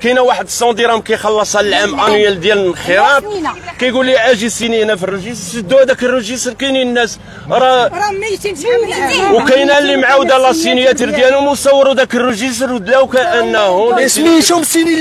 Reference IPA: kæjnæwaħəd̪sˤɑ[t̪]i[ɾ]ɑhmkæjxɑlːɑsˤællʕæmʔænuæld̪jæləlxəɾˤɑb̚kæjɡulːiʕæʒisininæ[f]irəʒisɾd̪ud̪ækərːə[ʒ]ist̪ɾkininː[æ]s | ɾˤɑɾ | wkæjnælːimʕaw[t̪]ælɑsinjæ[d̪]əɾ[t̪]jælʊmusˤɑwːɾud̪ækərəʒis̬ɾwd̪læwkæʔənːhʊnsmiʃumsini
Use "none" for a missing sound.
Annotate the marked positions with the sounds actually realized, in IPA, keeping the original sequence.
d̪, ɾ, f, ʒ, æ, d̪, t̪, d̪

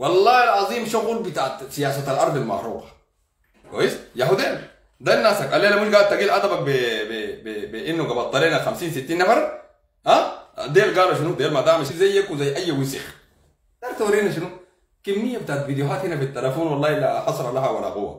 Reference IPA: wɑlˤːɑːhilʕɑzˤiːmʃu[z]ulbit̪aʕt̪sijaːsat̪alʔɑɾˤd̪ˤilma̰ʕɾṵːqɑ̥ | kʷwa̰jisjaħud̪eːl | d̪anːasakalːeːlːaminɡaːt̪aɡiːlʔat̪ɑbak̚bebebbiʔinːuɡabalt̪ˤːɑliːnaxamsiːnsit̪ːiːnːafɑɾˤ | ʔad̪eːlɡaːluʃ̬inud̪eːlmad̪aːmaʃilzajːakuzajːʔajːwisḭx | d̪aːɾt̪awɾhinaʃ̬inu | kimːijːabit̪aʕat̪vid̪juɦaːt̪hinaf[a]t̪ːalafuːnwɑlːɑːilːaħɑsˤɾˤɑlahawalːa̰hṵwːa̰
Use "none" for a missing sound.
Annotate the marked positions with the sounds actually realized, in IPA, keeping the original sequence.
ɣ, i

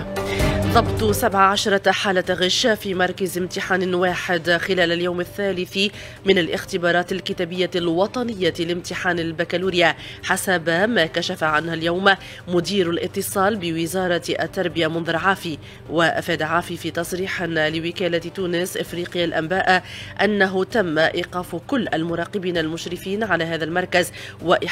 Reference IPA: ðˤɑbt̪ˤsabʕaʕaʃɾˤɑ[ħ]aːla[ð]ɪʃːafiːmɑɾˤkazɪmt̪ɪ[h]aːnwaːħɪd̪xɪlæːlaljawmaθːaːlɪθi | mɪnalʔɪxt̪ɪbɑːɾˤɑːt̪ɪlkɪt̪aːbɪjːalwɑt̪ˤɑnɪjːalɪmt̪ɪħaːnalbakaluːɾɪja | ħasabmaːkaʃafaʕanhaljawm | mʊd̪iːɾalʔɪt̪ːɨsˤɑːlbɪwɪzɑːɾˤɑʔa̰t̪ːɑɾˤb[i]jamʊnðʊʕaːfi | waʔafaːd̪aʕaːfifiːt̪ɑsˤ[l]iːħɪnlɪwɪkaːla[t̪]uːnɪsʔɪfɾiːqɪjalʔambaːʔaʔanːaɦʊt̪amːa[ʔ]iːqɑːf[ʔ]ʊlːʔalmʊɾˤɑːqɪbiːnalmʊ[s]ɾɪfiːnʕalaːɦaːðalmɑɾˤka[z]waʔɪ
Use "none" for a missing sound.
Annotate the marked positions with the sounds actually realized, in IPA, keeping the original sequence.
ħ, ɣ, ħ, ɪ, ɾ, t̪, ʔ, k, ʃ, z

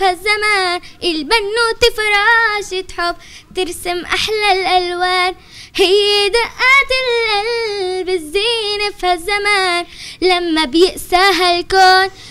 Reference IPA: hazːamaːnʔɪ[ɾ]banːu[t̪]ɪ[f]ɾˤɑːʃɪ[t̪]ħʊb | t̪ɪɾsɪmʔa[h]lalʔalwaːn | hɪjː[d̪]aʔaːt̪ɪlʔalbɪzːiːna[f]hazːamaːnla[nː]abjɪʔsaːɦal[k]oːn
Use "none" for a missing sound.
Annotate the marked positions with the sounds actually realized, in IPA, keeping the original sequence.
l, t̪, f, t̪, ħ, d̪, f, mː, k

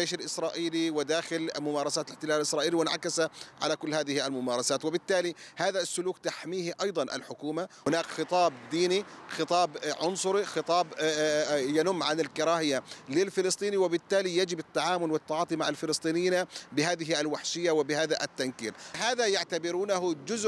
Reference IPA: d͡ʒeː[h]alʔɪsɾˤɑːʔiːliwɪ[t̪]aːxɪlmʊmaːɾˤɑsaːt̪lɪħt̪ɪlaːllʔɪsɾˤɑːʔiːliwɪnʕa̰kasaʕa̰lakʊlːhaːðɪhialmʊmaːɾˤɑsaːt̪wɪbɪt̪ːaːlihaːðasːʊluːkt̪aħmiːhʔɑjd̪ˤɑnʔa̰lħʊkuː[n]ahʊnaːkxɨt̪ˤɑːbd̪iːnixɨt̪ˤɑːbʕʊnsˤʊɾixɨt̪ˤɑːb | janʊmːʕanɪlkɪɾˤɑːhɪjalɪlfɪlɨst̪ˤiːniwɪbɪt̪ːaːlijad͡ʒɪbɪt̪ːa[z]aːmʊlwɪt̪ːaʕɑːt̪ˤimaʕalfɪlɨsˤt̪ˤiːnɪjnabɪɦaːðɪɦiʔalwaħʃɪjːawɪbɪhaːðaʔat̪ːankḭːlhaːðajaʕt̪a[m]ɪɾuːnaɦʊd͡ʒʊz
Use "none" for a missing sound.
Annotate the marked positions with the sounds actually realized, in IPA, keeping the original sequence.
ʃ, d̪, m, ʕ, b

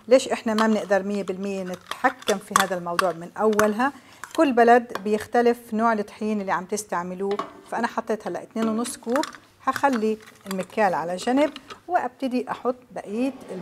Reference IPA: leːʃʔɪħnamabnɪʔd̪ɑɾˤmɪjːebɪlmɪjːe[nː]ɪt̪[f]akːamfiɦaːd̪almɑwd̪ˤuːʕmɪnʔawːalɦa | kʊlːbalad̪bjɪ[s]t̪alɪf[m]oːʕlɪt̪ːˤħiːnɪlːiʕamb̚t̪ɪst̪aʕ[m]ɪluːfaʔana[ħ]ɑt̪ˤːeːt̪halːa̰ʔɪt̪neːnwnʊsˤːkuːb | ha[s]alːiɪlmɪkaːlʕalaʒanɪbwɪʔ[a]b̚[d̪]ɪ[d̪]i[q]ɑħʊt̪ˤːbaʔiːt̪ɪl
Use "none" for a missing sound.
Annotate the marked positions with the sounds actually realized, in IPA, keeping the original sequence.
n, ħ, x, n, m, ħ, x, a, t̪, d̪, ʔ

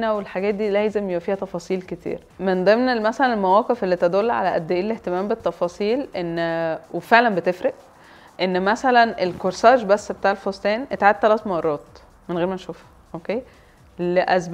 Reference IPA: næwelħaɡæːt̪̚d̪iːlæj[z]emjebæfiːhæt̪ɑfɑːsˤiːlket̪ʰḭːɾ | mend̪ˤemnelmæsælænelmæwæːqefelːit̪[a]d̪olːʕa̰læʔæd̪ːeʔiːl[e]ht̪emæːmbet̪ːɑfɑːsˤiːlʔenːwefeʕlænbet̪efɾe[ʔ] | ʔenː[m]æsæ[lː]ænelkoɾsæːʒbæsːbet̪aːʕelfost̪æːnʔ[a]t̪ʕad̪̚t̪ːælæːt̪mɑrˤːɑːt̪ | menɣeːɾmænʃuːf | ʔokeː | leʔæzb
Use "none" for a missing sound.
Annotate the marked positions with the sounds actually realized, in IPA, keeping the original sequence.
z, æ, e, ʔ, m, l, e

